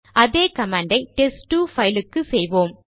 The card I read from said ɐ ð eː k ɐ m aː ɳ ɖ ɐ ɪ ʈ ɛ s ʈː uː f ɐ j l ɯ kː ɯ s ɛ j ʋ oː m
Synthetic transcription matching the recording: ɐ ð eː k ɐ m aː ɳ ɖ ɐ ɪ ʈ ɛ s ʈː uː f ɐ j l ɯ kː ɯ s ɛ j ʋ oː m